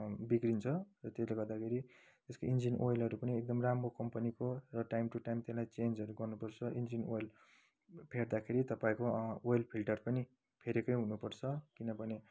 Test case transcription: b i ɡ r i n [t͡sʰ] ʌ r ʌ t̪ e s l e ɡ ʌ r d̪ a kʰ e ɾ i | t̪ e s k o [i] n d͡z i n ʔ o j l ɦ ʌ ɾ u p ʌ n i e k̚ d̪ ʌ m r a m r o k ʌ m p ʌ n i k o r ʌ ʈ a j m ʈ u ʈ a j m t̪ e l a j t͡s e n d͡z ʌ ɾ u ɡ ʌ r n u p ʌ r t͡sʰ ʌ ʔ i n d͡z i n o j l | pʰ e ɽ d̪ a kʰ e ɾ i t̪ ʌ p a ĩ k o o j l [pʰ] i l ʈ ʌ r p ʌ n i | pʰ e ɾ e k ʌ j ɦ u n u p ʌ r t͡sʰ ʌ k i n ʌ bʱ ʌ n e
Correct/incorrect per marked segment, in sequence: correct, correct, correct

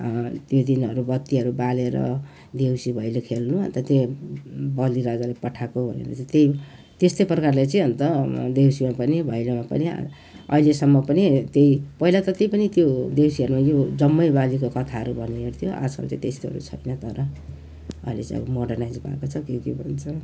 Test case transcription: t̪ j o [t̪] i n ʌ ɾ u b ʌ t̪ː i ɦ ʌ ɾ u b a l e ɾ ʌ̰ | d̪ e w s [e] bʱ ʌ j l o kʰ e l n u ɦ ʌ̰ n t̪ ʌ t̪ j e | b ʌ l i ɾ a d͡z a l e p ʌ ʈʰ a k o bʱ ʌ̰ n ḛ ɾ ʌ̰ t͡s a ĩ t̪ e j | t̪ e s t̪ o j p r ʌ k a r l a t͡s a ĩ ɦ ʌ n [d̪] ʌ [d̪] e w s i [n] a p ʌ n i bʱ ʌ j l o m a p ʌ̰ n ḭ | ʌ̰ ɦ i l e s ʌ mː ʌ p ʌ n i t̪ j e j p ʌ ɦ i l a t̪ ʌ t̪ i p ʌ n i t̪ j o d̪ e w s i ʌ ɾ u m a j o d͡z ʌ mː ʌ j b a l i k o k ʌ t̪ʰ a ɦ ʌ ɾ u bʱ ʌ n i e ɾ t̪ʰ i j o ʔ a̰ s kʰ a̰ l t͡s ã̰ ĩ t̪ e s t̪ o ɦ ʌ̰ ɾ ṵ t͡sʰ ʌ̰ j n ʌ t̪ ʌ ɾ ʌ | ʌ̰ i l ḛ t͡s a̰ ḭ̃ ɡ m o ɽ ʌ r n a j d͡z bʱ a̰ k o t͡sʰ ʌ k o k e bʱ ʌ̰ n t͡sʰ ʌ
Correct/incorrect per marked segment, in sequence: incorrect: d̪, incorrect: i, incorrect: t̪, correct, incorrect: m

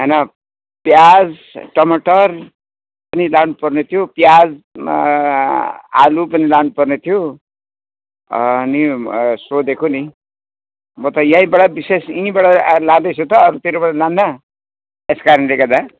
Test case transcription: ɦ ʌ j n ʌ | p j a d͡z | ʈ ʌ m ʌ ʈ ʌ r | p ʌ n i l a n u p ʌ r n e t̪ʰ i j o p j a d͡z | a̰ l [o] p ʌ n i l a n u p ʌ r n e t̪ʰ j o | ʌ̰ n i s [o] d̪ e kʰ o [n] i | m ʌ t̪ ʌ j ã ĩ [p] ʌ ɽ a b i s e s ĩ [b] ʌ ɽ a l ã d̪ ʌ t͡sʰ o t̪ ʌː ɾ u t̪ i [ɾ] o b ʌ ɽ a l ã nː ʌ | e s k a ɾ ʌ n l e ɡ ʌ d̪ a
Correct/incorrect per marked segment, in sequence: incorrect: u, correct, correct, incorrect: b, correct, correct

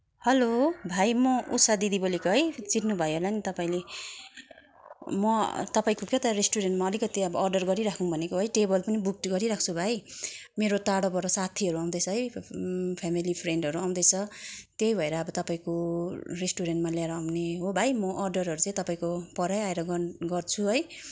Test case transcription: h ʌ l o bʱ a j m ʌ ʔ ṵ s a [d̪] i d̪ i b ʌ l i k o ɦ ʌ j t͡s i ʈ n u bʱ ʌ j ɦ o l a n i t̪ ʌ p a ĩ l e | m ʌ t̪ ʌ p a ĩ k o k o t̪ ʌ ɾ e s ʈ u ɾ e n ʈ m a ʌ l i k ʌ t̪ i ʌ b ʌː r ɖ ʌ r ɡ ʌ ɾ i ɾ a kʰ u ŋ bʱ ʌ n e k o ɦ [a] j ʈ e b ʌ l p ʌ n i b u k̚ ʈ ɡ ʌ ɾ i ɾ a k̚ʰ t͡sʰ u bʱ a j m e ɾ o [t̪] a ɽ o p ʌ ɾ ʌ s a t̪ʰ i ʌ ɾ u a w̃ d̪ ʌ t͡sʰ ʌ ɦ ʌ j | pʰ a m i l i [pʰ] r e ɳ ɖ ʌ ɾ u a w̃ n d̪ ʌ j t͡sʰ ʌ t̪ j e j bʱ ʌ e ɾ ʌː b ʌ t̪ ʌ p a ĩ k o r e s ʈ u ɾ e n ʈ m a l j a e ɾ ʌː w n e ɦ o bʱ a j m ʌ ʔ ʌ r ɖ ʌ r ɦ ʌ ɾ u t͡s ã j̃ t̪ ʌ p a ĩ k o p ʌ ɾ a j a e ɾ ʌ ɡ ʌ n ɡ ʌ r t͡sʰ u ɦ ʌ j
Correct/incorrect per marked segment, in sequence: correct, incorrect: ʌ, correct, correct

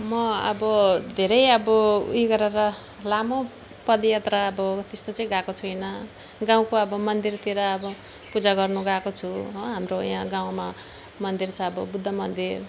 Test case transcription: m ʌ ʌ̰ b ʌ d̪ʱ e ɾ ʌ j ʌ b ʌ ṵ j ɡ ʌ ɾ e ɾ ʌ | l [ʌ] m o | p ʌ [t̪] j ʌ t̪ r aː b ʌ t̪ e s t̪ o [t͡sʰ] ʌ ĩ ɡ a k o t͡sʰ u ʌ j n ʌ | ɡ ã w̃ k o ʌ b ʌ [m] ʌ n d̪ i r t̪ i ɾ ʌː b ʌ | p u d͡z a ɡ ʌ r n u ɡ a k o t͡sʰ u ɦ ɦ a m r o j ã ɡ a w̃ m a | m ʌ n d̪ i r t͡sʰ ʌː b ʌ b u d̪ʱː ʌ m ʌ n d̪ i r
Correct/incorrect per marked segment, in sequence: incorrect: a, incorrect: d̪, incorrect: t͡s, correct

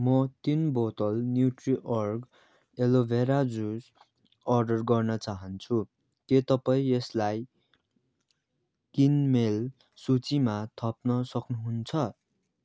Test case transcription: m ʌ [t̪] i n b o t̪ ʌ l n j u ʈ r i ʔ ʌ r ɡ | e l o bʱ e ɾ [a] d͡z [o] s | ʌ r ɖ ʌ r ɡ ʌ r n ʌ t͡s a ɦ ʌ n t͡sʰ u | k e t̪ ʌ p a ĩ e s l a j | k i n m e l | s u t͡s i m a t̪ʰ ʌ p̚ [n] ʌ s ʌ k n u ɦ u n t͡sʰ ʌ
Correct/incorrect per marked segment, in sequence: correct, correct, incorrect: u, correct

